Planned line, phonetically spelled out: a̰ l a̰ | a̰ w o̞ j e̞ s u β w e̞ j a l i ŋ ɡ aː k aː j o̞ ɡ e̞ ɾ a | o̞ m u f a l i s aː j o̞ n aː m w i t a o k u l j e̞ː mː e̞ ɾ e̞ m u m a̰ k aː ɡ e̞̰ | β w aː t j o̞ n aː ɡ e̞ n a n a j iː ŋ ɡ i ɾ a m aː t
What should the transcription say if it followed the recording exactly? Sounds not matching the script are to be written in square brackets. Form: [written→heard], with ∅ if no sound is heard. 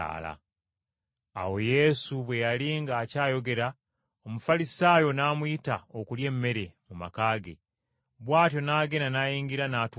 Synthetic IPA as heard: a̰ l a̰ | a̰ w o̞ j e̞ s u β w e̞ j a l i ŋ ɡ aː [k→c] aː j o̞ ɡ e̞ ɾ a | o̞ m u f a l i s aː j o̞ n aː m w i t a o k u l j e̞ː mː e̞ ɾ e̞ m u m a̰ k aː ɡ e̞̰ | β w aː t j o̞ n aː ɡ e̞ n a n a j iː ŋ ɡ i ɾ a [m→n] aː t